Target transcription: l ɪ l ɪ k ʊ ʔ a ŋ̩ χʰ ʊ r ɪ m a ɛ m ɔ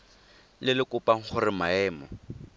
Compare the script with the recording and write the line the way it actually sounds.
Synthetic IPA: l ɪ l ɪ k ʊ p a ŋ̩ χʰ ʊ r ɪ m a ɛː m ɔ

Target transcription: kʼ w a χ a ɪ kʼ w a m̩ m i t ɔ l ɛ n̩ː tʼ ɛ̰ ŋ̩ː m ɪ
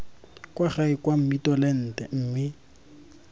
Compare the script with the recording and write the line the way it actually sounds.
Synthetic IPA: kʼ w a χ a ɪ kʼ w a m̩ m i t ɔ l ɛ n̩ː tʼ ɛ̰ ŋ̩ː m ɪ

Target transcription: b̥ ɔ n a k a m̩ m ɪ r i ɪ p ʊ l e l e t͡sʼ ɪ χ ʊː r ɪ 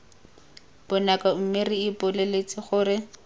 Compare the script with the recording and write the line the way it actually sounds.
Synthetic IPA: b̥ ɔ n a k a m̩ m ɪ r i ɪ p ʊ l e l e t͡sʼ ɪ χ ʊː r ɪ

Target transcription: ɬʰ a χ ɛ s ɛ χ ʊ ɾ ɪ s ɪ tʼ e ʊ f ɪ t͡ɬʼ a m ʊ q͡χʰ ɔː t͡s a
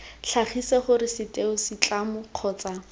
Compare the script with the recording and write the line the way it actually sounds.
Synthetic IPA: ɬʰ a χ i s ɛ χ ʊ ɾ ɪ s ɪ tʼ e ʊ s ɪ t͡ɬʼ a m ʊ q͡χʰ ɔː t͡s a

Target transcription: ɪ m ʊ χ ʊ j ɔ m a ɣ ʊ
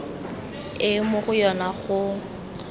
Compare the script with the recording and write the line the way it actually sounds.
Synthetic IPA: ɪ m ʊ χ ʊ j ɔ n a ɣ ʊ

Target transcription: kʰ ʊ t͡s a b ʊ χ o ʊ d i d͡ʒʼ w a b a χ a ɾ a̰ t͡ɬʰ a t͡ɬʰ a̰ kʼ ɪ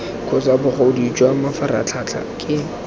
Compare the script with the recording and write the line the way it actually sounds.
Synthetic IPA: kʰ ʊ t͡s a b ʊ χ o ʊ d i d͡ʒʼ w a m a f a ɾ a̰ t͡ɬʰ a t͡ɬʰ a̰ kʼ ɪ

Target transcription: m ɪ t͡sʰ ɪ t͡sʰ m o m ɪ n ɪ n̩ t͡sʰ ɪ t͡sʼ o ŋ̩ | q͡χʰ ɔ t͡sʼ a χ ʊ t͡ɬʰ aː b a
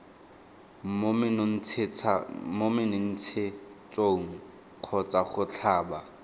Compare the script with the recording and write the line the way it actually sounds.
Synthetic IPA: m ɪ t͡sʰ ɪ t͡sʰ m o m ɪ n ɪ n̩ t͡sʰ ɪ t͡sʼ o ŋ̩ | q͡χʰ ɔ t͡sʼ a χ ʊ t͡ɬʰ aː b a

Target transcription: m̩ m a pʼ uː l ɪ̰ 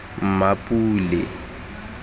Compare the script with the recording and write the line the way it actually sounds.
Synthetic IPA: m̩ m a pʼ uː l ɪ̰

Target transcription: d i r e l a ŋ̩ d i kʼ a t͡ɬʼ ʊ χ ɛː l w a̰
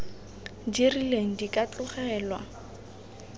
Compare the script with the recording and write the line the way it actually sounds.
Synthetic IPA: d i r i l e ŋ̩ d i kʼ a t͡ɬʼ ʊ χ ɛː l w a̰

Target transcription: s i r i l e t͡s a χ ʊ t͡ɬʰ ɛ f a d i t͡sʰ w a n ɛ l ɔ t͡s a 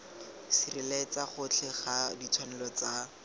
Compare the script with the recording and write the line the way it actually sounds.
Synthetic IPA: s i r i l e t͡s a χ ʊ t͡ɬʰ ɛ χ a d i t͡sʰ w a n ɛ l ɔ t͡s a

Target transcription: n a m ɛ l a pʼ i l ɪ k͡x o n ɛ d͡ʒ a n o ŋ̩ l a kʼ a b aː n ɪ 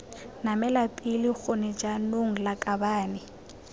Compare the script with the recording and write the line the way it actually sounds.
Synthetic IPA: n a m ɛ l a pʼ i l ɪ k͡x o n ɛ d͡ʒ a n o ŋ̩ l a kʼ a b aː n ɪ

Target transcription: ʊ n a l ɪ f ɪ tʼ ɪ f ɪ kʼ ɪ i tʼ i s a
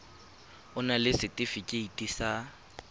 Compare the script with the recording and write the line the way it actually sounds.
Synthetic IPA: ʊ n a l ɪ s ɪ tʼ ɪ f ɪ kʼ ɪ i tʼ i s a

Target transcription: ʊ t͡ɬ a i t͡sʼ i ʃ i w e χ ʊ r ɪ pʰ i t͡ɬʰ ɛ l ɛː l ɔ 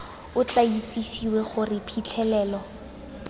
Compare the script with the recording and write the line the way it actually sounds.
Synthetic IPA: ʊ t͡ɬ a i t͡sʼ i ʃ i w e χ ʊ r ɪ pʰ i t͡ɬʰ ɛ l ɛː l ɔ

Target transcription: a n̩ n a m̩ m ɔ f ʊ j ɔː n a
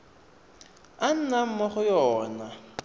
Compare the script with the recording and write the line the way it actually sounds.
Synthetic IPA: a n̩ n a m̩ m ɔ χ ʊ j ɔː n a

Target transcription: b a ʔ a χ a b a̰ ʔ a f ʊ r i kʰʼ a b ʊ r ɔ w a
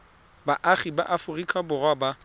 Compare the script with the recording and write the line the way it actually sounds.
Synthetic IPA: b a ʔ a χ i b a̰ ʔ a f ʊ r i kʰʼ a b ʊ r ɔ b a

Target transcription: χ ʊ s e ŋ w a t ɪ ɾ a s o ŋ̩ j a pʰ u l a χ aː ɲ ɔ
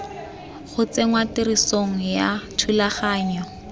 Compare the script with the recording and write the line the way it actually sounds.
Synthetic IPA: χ ʊ t͡s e ŋ w a t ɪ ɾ i s o ŋ̩ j a tʰ u l a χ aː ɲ ɔ

